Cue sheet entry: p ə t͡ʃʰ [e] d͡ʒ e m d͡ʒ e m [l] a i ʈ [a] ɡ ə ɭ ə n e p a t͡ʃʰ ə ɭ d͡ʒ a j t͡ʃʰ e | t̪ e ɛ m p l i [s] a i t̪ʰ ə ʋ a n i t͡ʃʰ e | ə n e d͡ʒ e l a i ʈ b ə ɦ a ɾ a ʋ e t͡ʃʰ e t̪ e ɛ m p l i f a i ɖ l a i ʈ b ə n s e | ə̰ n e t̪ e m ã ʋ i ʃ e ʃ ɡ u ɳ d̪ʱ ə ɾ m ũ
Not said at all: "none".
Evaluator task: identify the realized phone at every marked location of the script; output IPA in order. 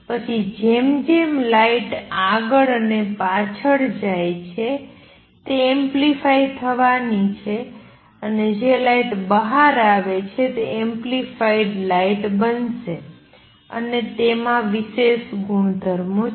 i, l, a, f

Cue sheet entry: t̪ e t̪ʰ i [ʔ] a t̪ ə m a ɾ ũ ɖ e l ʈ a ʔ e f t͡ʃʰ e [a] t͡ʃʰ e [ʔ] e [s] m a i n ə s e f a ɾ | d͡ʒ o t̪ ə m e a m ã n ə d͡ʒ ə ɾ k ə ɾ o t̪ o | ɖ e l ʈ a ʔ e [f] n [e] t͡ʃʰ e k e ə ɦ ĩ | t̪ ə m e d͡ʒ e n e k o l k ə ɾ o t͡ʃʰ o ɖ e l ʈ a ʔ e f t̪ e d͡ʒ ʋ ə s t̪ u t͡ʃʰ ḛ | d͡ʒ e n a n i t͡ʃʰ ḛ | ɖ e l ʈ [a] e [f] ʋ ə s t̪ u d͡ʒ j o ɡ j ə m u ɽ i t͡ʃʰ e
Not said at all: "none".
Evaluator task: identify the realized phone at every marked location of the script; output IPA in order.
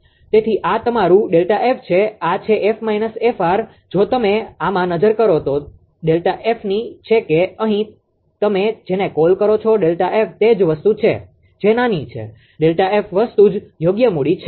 ʔ, a, ʔ, f, f, i, a, f

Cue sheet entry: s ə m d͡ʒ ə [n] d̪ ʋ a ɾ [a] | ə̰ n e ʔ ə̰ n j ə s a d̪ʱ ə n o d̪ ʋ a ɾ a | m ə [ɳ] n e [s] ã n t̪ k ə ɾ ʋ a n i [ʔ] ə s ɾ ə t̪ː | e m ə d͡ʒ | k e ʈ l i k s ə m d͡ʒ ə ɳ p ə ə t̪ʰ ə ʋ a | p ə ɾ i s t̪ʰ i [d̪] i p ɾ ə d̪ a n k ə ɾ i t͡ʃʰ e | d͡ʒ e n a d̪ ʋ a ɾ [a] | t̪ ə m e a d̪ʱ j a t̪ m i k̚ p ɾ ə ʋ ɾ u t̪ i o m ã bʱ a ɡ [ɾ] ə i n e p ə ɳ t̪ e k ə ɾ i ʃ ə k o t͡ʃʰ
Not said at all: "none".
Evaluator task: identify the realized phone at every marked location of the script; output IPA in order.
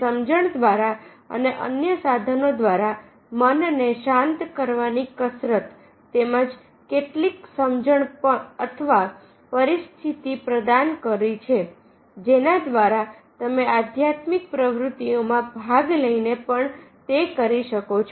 ɳ, a, n, ʃ, k, t̪, a, l

